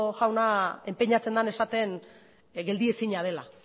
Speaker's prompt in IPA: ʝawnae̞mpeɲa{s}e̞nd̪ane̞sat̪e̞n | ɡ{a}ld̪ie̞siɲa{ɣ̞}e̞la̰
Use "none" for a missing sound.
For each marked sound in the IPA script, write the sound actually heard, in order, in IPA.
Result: t͡s, e, ð̞

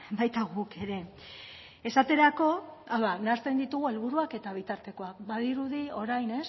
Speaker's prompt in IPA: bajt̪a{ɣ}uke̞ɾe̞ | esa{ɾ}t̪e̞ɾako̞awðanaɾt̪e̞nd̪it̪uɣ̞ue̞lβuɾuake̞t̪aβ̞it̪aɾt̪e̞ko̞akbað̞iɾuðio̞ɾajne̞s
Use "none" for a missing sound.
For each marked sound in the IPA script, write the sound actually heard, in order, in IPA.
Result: ɣ, none

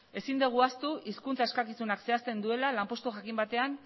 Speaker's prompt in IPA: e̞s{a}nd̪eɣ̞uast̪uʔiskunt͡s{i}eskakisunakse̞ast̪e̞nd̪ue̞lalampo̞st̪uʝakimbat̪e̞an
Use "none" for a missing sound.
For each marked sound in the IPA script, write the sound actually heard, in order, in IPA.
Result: i, a

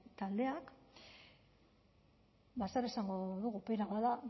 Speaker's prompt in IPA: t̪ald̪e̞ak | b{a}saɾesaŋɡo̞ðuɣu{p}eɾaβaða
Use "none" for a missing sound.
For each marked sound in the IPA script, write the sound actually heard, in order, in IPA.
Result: a, p

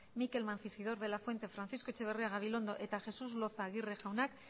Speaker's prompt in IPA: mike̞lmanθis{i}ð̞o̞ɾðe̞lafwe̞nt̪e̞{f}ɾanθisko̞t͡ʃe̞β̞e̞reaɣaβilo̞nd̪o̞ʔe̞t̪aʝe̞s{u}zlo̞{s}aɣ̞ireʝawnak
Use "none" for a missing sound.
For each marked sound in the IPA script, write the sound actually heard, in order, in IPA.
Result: i, f, u, θ

